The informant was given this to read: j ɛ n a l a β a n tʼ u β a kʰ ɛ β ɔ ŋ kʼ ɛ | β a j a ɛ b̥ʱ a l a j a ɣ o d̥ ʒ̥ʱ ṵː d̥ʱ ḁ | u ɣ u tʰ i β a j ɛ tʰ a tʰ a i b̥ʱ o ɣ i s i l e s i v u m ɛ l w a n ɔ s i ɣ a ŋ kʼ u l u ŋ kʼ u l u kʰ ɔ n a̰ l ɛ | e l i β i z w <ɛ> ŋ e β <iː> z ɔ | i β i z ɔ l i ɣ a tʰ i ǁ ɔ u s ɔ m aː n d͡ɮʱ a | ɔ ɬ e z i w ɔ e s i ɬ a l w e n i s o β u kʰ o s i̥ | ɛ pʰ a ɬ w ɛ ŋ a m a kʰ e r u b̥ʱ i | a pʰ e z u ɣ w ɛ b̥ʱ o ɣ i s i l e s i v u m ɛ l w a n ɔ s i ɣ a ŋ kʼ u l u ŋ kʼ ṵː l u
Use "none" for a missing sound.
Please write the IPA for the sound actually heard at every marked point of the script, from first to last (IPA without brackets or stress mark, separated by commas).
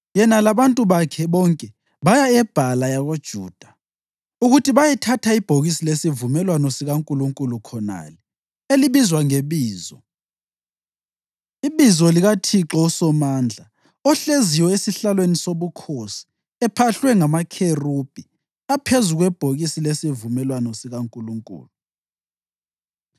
a, iː